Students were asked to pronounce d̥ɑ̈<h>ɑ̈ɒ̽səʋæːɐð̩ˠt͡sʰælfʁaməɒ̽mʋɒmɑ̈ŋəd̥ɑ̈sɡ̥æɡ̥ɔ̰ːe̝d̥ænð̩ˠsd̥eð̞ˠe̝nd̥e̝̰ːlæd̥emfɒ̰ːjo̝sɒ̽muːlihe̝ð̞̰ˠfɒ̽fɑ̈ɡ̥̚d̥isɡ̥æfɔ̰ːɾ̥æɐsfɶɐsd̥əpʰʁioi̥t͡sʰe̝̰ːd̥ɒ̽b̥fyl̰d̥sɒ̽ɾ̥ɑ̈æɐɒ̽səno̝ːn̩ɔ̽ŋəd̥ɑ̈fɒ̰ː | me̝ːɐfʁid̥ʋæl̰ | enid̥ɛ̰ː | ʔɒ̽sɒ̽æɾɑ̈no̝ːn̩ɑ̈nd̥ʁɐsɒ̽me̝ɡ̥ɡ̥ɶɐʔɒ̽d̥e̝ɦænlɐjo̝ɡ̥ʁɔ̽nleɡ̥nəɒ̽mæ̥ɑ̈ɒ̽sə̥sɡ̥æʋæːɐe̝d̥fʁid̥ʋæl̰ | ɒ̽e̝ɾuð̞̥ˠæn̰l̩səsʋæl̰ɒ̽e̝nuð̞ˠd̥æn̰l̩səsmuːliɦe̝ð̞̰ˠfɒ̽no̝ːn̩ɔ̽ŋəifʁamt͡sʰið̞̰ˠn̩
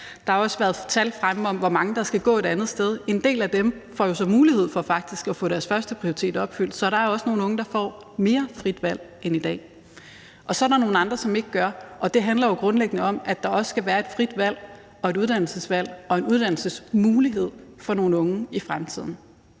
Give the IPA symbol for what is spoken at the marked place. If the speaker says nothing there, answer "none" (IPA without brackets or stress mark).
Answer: h